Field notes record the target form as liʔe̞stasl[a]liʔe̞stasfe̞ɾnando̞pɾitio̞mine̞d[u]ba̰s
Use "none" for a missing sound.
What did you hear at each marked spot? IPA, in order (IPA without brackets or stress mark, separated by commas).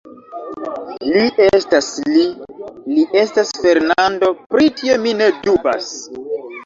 i, u